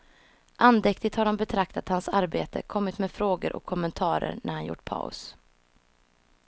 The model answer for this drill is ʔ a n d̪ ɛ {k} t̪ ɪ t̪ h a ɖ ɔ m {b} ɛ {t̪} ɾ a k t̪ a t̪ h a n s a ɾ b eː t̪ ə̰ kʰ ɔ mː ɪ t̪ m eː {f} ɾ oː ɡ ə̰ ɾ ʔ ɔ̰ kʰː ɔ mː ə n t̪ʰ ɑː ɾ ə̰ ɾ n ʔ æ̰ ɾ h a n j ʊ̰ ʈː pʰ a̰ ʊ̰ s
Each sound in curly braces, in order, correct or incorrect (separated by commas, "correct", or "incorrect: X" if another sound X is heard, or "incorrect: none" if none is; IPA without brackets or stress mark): correct, correct, incorrect: t̪ʰ, correct